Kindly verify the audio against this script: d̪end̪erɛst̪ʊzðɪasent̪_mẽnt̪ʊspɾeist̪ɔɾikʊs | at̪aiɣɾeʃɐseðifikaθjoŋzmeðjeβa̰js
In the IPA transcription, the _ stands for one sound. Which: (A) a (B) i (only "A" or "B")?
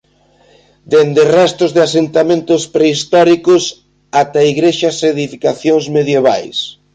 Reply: A